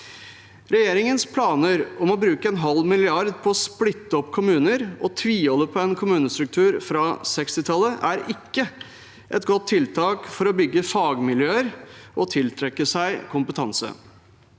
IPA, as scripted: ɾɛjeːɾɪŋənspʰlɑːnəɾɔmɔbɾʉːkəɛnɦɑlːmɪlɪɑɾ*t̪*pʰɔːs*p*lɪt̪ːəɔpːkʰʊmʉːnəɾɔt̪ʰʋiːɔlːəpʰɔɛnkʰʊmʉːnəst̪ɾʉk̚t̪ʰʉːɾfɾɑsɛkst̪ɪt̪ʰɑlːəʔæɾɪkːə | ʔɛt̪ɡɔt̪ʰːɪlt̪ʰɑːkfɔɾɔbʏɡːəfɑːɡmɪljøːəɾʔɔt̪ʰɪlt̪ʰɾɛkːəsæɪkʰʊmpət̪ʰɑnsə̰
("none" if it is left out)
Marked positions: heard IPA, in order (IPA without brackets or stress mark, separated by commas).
d̪, p